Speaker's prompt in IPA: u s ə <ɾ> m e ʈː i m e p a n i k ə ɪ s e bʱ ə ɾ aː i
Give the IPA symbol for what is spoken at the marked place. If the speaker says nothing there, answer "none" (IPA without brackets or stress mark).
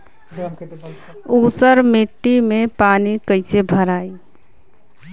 ɾ